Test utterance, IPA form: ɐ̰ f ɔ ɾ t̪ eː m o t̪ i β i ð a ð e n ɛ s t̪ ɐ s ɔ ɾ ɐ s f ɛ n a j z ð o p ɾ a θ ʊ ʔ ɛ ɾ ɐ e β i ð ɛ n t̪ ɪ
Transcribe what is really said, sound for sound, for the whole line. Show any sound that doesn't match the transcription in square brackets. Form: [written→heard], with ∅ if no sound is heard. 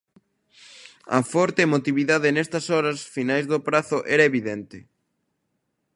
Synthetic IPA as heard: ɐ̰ f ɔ ɾ t̪ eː m o t̪ i β i ð a ð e n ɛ s t̪ ɐ s ɔ ɾ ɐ s f [ɛ→i] n a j z ð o p ɾ a θ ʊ ʔ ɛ ɾ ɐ e β i ð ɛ n t̪ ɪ